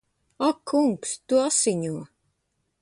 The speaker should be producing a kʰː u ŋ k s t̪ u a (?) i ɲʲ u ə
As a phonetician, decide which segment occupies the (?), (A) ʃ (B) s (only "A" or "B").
B